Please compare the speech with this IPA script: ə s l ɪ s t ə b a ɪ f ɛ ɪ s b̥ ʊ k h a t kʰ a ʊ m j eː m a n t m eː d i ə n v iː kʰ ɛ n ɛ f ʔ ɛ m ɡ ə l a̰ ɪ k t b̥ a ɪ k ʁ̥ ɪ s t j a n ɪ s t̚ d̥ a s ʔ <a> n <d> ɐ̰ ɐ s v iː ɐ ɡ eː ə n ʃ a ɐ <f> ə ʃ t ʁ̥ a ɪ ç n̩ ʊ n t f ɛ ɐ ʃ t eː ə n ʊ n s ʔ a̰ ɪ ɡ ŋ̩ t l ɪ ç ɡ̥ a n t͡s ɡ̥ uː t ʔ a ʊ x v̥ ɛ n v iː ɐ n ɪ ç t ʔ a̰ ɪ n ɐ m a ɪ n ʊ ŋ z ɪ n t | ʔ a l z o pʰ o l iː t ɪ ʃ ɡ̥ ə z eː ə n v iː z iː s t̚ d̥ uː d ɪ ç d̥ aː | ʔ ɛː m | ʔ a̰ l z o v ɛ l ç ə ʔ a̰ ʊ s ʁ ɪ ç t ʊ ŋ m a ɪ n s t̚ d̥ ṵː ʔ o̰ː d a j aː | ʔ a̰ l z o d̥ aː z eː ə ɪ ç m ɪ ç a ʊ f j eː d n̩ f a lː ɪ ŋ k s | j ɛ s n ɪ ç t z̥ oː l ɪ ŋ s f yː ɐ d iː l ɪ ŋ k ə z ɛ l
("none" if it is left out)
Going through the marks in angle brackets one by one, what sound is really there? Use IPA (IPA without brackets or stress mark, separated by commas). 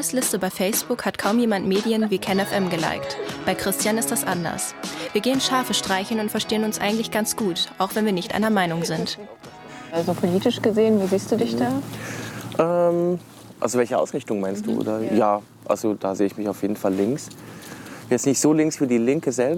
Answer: a, d, f